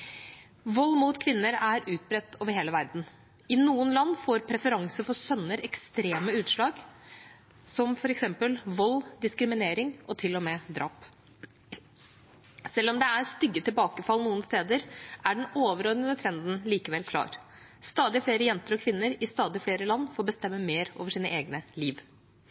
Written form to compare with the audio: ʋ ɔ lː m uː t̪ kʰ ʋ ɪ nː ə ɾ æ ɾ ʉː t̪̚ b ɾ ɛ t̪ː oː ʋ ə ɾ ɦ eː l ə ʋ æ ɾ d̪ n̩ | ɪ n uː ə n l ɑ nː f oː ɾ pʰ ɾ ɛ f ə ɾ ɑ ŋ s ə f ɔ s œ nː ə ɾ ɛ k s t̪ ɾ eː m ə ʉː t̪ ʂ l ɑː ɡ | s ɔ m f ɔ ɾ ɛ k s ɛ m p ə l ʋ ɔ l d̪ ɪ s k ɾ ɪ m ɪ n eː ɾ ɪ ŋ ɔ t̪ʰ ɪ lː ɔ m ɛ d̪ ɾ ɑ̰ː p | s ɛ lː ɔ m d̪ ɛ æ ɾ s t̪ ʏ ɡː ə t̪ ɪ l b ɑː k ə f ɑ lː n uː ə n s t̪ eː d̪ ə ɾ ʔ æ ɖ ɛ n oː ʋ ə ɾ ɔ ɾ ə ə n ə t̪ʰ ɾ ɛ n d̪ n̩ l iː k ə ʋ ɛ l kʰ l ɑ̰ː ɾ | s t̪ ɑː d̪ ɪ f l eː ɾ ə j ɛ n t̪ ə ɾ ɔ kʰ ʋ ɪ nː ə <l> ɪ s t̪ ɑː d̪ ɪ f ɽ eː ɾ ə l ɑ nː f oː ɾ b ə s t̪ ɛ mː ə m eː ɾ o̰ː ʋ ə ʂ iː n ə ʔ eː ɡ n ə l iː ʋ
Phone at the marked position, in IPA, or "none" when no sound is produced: ɾ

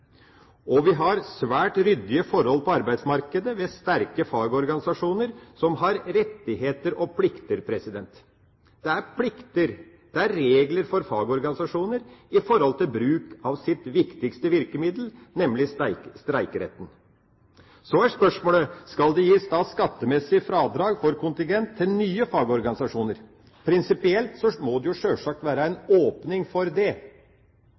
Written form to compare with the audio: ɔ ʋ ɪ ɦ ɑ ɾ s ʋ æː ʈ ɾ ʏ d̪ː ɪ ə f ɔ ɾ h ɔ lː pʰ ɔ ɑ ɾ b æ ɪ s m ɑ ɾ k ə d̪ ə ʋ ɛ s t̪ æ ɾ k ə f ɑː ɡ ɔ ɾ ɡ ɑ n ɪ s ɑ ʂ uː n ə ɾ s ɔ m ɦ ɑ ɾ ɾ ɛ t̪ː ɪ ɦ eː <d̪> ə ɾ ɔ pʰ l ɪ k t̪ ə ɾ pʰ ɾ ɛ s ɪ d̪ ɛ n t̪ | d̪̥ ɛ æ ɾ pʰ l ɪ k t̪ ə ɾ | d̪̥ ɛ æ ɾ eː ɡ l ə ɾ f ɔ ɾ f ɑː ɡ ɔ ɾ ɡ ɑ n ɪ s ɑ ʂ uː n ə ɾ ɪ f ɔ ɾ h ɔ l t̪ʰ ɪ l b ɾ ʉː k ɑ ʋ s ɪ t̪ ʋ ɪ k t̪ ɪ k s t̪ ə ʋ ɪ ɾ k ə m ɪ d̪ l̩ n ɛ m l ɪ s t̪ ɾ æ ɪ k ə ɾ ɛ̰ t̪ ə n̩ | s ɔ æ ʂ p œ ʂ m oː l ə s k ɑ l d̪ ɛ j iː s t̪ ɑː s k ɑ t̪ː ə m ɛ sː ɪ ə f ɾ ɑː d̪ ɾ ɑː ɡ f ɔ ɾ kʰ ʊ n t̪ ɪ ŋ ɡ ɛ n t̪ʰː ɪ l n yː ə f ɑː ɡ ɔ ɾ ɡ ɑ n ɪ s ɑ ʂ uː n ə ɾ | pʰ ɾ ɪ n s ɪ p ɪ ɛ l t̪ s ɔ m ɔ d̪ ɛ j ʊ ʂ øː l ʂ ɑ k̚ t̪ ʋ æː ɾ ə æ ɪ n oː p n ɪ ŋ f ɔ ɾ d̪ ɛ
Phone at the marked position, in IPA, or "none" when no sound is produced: t̪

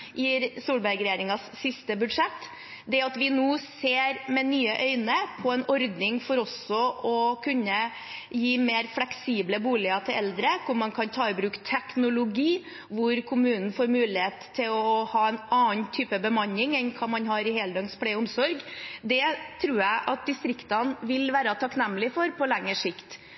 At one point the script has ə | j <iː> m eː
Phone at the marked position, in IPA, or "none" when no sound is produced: iː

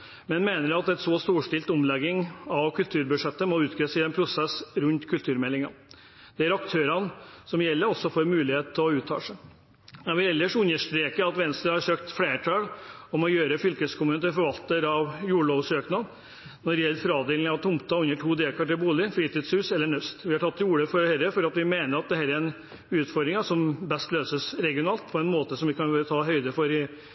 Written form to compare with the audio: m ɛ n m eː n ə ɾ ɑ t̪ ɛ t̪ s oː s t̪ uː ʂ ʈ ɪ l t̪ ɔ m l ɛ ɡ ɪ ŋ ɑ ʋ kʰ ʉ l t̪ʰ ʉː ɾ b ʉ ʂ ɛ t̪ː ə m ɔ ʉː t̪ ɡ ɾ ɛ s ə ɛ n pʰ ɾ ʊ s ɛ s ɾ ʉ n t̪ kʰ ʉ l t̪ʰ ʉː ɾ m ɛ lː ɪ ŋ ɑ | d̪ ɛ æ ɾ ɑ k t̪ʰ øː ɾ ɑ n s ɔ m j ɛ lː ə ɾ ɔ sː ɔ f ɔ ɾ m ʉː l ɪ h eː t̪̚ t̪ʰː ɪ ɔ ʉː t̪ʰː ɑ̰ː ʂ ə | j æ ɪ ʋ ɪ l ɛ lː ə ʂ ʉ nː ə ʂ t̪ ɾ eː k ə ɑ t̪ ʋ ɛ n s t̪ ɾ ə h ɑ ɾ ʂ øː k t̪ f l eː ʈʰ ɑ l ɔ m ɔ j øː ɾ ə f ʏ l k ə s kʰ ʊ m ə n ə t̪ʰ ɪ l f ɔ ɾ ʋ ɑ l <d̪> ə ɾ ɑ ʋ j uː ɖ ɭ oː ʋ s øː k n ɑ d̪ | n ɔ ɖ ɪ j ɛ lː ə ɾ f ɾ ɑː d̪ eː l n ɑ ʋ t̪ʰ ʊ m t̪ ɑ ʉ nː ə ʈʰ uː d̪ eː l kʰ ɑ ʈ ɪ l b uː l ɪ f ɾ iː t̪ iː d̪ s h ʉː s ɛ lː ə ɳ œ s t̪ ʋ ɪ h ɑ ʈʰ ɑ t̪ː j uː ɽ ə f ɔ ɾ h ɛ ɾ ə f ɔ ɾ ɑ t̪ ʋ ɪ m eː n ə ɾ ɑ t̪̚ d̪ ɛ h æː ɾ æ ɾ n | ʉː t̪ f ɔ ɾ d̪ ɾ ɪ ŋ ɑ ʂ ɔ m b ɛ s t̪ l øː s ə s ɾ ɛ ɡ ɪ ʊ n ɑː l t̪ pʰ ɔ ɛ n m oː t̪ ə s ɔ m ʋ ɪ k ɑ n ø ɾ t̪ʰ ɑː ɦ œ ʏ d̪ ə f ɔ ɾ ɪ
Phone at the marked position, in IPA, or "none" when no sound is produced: t̪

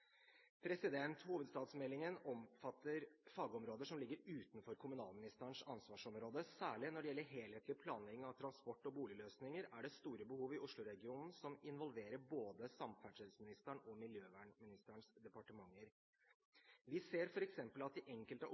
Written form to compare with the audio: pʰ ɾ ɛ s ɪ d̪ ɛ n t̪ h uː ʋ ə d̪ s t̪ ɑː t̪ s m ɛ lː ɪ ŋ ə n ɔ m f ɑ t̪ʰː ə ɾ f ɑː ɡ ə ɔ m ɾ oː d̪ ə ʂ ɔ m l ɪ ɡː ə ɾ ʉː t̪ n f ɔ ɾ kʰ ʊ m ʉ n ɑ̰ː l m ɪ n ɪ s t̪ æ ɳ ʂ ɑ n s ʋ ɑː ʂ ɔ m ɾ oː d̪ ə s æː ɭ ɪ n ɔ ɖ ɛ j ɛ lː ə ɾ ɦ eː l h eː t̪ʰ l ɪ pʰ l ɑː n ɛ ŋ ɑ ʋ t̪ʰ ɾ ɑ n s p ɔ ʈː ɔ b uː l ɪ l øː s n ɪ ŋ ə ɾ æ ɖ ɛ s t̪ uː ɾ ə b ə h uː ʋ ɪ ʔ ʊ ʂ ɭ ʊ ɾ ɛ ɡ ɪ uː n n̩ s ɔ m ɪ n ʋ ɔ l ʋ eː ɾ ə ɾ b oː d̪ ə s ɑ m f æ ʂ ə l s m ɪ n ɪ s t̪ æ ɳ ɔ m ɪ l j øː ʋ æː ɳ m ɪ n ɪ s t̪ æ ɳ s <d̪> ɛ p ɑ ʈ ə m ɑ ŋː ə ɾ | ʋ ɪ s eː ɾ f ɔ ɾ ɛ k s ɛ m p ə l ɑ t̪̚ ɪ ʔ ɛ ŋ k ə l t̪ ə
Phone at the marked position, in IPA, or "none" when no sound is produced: d̪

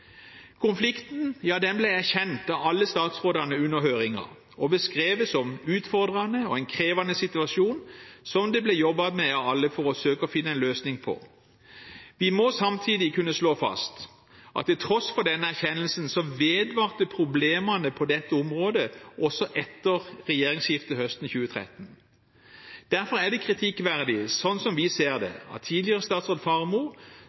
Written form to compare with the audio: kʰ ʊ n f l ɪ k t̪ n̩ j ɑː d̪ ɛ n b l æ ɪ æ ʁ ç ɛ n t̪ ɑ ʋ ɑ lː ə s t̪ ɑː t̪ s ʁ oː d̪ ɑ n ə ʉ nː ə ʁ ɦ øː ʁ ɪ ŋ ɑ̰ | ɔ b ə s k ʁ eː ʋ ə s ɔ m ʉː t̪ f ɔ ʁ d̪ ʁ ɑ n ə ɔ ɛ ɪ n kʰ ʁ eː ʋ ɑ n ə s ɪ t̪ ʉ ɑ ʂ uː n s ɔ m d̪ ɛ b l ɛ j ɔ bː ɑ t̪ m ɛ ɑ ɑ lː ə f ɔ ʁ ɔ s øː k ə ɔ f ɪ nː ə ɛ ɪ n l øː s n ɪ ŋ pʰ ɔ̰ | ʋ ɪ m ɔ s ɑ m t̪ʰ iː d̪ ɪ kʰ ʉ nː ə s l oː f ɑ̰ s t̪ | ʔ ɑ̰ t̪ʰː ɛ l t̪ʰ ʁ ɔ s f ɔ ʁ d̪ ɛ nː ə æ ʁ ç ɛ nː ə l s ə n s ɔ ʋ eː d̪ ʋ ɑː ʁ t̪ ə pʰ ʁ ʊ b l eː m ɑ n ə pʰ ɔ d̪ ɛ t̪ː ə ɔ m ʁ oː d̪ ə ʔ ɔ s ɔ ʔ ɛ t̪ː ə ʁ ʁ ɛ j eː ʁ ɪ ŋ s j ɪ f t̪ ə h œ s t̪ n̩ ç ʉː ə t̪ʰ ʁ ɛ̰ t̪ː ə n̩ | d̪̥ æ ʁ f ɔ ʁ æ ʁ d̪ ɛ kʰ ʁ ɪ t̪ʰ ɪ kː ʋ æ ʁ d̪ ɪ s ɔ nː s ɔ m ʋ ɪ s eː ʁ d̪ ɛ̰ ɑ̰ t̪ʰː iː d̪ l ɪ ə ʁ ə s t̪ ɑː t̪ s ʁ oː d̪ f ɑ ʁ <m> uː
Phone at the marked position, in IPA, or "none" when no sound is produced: m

